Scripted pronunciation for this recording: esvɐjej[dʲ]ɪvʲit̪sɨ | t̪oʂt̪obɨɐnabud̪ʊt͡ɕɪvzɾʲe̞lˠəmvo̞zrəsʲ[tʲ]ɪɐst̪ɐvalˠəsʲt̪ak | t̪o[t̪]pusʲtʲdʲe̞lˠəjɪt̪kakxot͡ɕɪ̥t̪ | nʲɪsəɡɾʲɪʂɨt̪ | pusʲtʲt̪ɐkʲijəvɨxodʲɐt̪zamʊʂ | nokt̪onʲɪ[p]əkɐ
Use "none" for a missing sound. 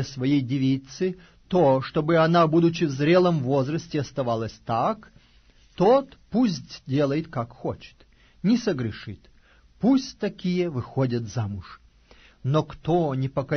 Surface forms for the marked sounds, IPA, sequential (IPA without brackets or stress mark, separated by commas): dʲ, tʲ, t̪, p